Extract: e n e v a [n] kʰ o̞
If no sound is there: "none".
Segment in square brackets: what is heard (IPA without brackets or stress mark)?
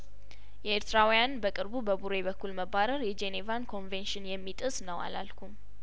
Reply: n